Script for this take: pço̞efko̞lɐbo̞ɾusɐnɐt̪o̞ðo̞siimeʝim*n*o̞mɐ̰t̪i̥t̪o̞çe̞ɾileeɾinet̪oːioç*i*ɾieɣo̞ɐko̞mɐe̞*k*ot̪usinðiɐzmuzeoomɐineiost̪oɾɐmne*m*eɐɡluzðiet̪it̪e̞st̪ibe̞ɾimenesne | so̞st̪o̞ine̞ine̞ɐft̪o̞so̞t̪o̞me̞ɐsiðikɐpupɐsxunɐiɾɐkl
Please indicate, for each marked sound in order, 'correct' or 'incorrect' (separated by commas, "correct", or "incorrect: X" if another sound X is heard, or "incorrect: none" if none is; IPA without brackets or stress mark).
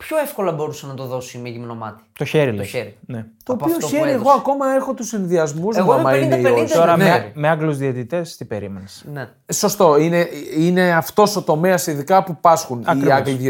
correct, incorrect: e, incorrect: x, correct